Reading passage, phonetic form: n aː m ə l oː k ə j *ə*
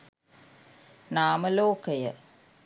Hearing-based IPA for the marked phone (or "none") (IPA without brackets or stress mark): ə